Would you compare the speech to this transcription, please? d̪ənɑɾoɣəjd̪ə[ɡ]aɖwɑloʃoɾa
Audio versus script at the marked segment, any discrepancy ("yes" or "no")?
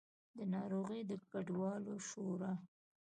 yes